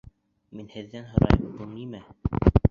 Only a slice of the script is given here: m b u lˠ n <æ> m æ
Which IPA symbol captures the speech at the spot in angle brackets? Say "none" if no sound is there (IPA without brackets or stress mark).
i